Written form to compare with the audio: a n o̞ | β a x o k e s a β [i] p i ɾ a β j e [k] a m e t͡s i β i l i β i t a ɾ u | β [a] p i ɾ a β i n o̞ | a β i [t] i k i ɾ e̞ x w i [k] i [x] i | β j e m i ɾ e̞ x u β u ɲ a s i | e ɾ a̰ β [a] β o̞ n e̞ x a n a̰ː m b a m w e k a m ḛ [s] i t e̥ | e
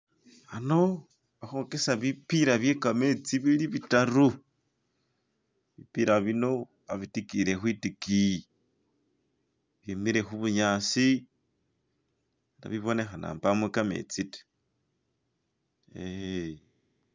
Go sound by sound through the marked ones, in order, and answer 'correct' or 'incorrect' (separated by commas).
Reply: correct, correct, incorrect, correct, incorrect, incorrect, incorrect, incorrect